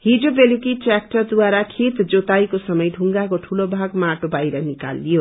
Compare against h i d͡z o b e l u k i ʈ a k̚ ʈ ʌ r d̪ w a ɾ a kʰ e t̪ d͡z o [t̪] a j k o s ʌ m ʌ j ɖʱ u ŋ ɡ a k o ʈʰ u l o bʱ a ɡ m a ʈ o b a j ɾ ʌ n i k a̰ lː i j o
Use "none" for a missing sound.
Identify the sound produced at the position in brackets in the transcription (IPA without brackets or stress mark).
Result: t̪